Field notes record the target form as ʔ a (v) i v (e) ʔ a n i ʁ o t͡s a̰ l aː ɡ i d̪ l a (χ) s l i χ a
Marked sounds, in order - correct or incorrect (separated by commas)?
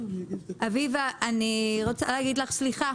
correct, incorrect, correct